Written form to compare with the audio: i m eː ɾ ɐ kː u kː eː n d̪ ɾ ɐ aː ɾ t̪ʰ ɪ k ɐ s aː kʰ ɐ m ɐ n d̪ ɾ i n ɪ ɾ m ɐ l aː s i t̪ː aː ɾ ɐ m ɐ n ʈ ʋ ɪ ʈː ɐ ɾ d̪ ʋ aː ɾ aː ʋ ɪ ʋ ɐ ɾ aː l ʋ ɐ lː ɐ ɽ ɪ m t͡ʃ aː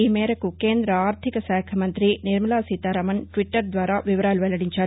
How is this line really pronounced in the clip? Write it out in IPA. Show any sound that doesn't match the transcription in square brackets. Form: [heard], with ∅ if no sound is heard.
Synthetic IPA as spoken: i m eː ɾ ɐ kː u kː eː n d̪ ɾ ɐ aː ɾ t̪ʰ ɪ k ɐ s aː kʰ ɐ m ɐ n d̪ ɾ i n ɪ ɾ m ɐ l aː s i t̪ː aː ɾ ɐ m ɐ n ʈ ʋ ɪ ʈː ɐ ɾ d̪ ʋ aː ɾ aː ʋ ɪ ʋ ɐ ɾ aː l ʋ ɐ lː ɐ ɽ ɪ [ɲ] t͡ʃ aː